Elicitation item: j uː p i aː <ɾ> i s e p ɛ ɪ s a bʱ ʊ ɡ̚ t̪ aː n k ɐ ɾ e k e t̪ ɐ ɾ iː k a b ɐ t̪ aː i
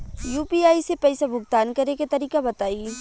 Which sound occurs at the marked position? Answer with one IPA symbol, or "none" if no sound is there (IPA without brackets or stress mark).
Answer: none